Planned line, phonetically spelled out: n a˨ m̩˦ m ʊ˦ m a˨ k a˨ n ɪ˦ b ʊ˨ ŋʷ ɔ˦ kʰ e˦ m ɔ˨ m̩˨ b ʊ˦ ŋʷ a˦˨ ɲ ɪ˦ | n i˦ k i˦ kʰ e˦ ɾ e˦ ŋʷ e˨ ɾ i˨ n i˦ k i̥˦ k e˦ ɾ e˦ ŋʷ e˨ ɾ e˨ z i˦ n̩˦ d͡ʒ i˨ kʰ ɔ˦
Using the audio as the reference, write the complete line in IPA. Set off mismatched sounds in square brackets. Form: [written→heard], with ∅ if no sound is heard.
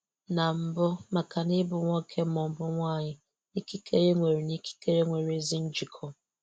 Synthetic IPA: n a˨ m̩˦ [m→b] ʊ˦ m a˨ k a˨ n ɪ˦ b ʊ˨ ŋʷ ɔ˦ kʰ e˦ m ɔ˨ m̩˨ b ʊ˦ ŋʷ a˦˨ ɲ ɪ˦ | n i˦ k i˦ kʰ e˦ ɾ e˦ ŋʷ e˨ ɾ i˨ n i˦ k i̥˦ k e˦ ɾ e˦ ŋʷ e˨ ɾ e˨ z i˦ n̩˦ d͡ʒ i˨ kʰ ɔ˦